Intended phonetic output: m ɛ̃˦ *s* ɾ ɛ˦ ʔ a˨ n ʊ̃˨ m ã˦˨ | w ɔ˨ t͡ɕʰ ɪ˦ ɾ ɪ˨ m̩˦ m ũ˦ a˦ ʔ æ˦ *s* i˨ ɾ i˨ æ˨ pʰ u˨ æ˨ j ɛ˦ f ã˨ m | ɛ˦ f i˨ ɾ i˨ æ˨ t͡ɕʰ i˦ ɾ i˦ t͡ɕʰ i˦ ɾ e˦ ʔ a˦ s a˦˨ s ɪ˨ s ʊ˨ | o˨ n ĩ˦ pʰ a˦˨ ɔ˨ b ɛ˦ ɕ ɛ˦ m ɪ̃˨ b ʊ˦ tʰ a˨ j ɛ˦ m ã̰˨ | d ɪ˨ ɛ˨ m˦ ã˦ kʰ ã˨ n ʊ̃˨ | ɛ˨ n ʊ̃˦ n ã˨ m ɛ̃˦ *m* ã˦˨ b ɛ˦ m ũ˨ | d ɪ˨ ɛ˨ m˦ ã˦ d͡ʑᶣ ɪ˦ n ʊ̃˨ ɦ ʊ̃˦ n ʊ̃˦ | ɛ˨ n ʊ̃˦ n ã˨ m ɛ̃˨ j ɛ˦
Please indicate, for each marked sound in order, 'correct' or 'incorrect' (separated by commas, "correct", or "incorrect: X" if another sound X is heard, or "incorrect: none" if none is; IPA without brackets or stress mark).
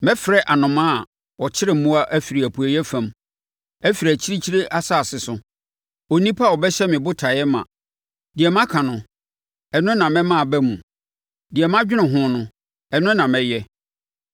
incorrect: f, incorrect: f, correct